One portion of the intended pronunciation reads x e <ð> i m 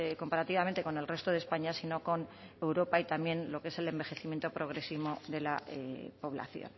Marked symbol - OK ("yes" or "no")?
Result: no